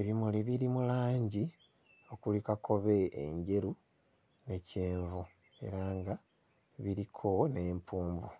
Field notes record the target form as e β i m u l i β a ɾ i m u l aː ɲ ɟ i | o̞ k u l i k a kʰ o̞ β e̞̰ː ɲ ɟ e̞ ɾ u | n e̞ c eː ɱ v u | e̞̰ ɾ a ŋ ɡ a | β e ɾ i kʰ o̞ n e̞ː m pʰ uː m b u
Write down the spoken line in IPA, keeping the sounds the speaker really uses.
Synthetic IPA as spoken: e β i m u l i β i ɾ i m u l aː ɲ ɟ i | o̞ k u l i k a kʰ o̞ β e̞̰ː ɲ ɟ e̞ ɾ u | n e̞ c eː ɱ v u | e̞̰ ɾ a ŋ ɡ a | β i ɾ i kʰ o̞ n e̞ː m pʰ uː m b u

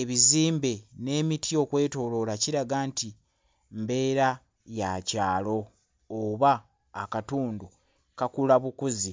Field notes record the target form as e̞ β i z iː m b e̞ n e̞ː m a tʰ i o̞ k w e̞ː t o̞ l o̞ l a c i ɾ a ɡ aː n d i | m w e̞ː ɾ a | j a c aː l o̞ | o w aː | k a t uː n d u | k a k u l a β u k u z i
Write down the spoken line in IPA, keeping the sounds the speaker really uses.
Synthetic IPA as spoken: e̞ β i z iː m b e̞ n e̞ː m i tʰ i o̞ k w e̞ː t o̞ l o̞ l a c i ɾ a ɡ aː n t i | m b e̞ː ɾ a | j a c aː l o̞ | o β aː | k a t uː n d u | k a k u l a β u k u z i

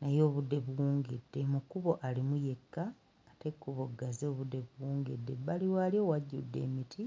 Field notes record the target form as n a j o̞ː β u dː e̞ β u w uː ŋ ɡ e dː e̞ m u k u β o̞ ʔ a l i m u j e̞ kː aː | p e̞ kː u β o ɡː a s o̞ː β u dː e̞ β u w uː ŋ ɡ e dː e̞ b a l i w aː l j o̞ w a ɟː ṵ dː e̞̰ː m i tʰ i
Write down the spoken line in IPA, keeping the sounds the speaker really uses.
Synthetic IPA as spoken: n a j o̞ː β u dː e̞ β u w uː ŋ ɡ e dː e̞ m u k u β o̞ ʔ a l i m u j e̞ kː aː | t e̞ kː u β o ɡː a z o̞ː β u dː e̞ β u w uː ŋ ɡ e dː e̞ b a l i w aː l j o̞ w a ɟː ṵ dː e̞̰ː m i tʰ i

